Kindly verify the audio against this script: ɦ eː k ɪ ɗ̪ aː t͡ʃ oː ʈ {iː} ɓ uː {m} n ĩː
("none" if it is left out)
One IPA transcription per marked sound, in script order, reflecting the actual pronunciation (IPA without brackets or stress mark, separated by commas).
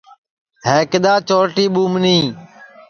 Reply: iː, m